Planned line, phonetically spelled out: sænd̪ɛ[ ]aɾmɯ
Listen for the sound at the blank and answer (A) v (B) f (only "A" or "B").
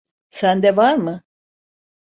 A